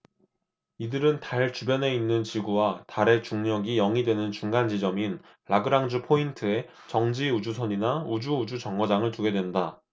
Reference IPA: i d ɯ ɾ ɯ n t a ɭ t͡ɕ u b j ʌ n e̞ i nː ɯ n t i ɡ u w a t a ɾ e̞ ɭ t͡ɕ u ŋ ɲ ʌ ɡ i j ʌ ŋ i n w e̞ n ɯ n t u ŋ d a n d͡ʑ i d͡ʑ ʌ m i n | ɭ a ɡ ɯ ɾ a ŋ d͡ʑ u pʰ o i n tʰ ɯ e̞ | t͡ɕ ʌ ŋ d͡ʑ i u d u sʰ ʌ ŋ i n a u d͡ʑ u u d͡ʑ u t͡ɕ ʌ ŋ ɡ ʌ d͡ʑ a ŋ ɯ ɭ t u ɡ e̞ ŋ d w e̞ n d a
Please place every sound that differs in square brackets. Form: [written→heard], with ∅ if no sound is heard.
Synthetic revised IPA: i d ɯ ɾ ɯ n t a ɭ t͡ɕ u b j ʌ n e̞ i nː ɯ n [t→t͡ɕ] i ɡ u w a t a ɾ e̞ [ɭ→∅] t͡ɕ u ŋ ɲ ʌ ɡ i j ʌ ŋ i [n→d] w e̞ n ɯ n [t→t͡ɕ] u ŋ [d→ɡ] a n d͡ʑ i d͡ʑ ʌ m i n | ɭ a ɡ ɯ ɾ a ŋ d͡ʑ u pʰ o i n tʰ ɯ e̞ | t͡ɕ ʌ ŋ d͡ʑ i u [d→d͡ʑ] u sʰ ʌ [ŋ→ɲ] i n a u d͡ʑ u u d͡ʑ u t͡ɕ ʌ ŋ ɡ ʌ d͡ʑ a ŋ ɯ ɭ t u ɡ e̞ [ŋ→∅] d w e̞ n d a